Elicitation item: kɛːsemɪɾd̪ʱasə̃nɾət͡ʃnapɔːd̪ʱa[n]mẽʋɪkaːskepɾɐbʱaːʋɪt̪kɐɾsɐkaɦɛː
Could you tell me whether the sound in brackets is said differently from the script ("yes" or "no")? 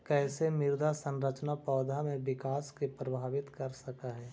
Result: yes